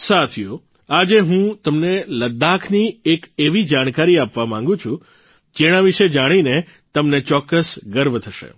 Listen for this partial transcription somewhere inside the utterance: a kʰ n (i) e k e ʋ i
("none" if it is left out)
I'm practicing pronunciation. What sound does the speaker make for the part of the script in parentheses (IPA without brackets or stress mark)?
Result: i